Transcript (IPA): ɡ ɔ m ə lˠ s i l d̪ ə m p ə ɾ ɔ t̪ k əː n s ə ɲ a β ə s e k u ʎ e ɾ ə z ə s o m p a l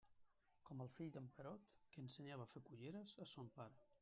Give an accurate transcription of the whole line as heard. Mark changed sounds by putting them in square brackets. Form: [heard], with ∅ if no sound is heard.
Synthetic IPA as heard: [k] ɔ m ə lˠ [f] i [ʎ] d̪ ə m p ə ɾ ɔ t̪ k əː n s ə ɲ a β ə [f] e k u ʎ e ɾ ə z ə s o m p a [ɾ]

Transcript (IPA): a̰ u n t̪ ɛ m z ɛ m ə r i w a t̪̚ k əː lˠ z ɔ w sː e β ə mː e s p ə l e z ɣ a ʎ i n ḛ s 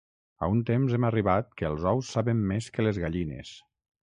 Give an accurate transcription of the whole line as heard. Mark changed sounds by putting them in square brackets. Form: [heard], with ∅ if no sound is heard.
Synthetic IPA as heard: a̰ u n t̪ [e] m z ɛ m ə r i [β] a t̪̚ k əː lˠ z ɔ w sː [a] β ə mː e s [k] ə l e z ɣ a ʎ i n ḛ s

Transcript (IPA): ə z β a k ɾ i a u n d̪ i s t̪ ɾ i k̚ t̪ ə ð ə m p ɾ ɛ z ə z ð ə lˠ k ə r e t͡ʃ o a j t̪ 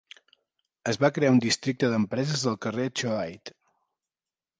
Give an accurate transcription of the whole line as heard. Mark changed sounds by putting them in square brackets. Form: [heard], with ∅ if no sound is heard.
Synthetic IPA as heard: ə z β a k ɾ [e] a u n d̪ i s t̪ ɾ i k̚ t̪ ə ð ə m p ɾ ɛ z ə z ð ə lˠ k ə r e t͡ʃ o a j t̪

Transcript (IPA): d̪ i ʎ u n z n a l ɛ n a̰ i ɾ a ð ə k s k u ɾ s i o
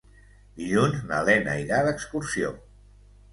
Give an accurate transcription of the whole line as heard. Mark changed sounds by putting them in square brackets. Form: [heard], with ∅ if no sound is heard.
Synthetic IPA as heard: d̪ i ʎ u n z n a l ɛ n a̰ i ɾ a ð ə k s k u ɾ s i o

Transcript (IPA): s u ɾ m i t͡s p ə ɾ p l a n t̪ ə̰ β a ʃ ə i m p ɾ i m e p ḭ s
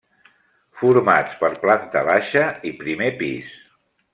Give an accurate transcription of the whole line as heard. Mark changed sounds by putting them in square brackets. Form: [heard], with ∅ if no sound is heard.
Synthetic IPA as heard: [f] u ɾ m [a] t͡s p ə ɾ p l a n t̪ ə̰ β a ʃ ə i [∅] p ɾ i m e p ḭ s

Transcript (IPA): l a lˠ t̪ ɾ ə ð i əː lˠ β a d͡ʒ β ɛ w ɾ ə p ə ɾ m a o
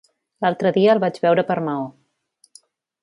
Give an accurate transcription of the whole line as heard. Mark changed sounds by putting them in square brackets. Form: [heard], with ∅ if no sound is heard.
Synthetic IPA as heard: l a lˠ t̪ ɾ ə ð i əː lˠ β a d͡ʒ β ɛ w ɾ ə p ə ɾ m a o

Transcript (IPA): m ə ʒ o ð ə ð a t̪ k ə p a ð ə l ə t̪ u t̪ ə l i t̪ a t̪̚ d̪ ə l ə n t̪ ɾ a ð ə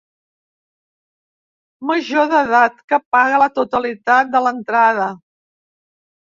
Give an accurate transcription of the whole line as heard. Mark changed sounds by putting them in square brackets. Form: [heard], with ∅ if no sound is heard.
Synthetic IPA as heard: m ə ʒ o ð ə ð a t̪ k ə p a [ɣ] ə l ə t̪ u t̪ ə l i t̪ a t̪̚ d̪ ə l ə n t̪ ɾ a ð ə

